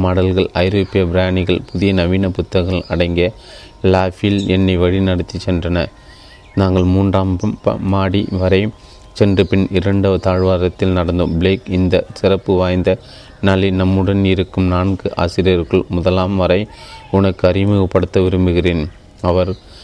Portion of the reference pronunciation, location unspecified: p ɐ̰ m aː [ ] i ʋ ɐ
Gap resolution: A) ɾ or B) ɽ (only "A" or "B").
B